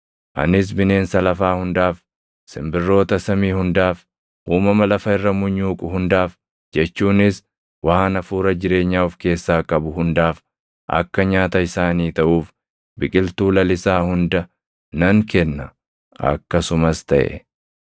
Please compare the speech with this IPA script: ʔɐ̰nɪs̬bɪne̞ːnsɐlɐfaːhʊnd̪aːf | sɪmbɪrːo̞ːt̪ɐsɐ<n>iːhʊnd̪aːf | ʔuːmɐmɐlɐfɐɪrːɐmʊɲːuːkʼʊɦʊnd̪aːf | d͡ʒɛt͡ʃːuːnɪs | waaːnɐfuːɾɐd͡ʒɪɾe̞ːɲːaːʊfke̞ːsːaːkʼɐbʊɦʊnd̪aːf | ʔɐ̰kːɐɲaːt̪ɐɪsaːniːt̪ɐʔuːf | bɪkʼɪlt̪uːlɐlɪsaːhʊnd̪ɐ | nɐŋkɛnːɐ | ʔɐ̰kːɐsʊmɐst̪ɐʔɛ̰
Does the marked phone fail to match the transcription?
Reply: yes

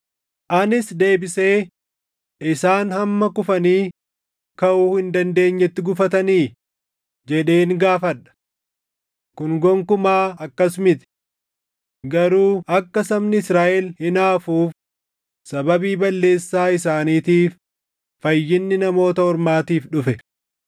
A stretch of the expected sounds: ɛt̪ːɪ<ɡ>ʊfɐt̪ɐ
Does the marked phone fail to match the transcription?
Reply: no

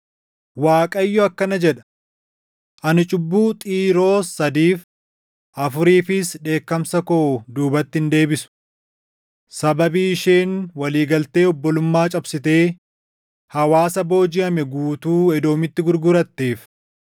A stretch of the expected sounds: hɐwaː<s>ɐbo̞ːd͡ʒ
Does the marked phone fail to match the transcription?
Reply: no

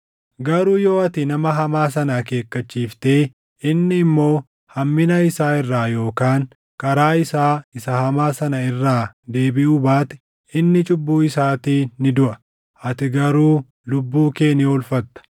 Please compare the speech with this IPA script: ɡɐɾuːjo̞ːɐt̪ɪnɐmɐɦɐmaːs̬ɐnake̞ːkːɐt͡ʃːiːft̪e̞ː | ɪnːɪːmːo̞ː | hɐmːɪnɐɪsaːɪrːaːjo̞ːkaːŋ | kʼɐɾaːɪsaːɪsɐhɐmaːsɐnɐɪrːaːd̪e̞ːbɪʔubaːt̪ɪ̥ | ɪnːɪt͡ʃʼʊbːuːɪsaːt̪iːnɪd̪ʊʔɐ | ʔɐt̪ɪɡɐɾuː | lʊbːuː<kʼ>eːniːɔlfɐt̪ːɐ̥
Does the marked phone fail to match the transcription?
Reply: yes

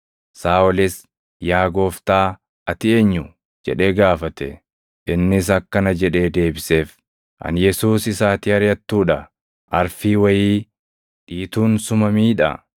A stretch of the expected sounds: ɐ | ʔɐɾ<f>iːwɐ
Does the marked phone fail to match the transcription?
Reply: no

